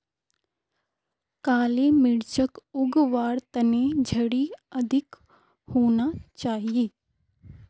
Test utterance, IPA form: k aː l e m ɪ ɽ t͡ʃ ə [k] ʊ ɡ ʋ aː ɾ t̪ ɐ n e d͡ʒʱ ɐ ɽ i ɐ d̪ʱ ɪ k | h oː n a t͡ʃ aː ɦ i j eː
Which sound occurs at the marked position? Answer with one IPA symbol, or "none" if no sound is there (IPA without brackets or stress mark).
k